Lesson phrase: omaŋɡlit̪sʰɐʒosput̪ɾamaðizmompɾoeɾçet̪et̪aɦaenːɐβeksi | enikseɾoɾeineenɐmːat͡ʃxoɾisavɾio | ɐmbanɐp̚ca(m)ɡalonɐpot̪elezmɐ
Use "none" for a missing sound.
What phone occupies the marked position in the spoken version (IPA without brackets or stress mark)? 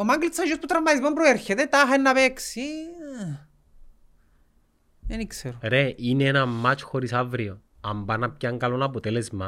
ŋ